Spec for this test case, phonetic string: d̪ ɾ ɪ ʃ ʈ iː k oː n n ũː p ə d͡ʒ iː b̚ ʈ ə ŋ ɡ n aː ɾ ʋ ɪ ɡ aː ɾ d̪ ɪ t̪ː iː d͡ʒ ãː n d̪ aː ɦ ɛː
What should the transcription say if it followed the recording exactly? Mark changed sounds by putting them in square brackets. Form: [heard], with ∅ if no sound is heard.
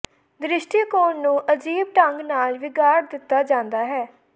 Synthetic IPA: d̪ ɾ ɪ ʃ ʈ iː k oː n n ũː [ʔ] ə d͡ʒ iː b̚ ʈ ə ŋ ɡ n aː [l] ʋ ɪ ɡ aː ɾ d̪ ɪ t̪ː [aː] d͡ʒ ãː n d̪ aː ɦ ɛː